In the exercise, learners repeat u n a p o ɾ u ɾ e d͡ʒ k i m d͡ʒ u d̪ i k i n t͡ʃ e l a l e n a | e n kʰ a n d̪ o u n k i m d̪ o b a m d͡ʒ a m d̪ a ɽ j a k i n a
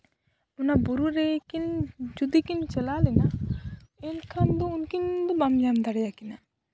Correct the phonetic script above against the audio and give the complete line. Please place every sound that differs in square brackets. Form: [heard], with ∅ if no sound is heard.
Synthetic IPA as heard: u n a [b] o ɾ u ɾ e [∅] k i [n] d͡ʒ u d̪ i k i n t͡ʃ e l a l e n a | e n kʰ a n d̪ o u n k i [n] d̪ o b a m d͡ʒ a m d̪ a ɽ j a k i n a